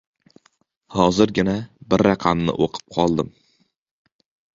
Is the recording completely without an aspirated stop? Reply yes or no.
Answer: no